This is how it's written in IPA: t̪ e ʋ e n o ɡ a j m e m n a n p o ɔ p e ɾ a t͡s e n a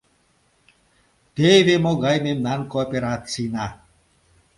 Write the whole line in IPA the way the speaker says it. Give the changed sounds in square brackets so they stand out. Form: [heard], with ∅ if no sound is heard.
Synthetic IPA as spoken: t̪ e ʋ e [m] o ɡ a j m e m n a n [k] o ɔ p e ɾ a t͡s [i] n a